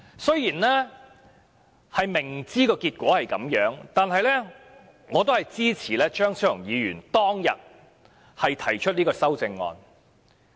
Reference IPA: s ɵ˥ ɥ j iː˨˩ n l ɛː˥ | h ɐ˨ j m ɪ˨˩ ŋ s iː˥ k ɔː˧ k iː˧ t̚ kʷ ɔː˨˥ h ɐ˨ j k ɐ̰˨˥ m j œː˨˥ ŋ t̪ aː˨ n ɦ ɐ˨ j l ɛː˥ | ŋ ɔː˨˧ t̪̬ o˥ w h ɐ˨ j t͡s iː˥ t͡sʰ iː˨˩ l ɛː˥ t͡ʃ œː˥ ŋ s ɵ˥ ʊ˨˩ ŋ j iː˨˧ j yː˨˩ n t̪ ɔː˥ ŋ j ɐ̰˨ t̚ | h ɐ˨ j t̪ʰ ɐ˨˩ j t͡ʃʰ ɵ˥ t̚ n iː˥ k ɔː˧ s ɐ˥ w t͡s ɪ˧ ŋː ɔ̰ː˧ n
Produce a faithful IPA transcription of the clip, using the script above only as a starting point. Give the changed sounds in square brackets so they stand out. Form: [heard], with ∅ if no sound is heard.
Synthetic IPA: s ɵ˥ ɥ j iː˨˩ n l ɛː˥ | h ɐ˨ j m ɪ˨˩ ŋ [t͡s] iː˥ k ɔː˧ k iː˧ t̚ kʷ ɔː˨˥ h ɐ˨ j k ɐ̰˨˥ m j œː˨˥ ŋ t̪ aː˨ n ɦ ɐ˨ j l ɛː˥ | ŋ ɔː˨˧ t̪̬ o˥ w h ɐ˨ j t͡s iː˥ t͡sʰ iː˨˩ l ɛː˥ t͡ʃ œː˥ ŋ s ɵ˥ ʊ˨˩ ŋ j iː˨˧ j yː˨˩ n t̪ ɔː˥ ŋ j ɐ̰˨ t̚ | h ɐ˨ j t̪ʰ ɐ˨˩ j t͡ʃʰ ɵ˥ t̚ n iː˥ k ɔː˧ s ɐ˥ w t͡s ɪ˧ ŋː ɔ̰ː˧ n